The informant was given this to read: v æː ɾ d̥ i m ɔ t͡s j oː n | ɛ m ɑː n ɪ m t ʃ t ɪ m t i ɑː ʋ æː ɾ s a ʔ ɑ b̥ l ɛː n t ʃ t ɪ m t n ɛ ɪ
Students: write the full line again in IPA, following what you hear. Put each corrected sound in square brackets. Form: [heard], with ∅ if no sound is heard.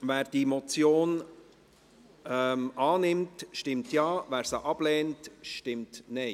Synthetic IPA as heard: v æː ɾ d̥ i m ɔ t͡s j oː n | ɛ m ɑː n ɪ m t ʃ t ɪ m t [j] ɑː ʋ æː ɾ s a ʔ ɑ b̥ l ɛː n t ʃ t ɪ m t n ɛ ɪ